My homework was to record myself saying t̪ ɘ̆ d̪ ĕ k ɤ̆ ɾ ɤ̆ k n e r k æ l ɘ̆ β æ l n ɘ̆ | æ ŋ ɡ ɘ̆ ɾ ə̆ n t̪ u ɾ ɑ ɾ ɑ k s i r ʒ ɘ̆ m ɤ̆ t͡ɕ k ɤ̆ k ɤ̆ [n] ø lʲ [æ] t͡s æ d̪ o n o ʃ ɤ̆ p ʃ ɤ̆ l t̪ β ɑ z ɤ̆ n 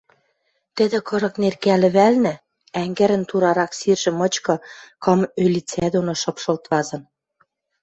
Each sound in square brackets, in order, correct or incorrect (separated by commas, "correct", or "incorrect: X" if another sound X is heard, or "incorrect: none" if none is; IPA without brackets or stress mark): incorrect: m, incorrect: i